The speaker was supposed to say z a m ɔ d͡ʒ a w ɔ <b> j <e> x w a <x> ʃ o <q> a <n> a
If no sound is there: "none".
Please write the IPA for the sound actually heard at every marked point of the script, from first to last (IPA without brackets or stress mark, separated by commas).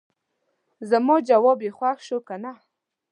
b, e, x, k, n